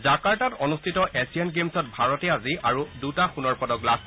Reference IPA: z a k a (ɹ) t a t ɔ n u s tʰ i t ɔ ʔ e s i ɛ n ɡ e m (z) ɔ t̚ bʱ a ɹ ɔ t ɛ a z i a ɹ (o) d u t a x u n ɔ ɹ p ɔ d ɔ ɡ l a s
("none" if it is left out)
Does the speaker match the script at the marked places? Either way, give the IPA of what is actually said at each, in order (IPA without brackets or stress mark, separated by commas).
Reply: ɹ, s, u